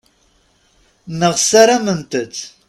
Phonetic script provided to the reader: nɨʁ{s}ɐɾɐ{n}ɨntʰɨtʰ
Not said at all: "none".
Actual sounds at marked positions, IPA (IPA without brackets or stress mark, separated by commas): s, m